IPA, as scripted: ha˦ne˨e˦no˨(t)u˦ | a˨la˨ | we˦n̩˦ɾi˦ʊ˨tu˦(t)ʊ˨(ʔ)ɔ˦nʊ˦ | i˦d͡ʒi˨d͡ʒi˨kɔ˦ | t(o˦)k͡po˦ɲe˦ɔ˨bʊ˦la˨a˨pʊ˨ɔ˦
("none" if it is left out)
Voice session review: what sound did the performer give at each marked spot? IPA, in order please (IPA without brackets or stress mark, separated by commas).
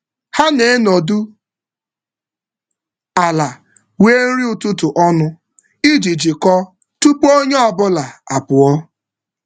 d, t, ʔ, u˦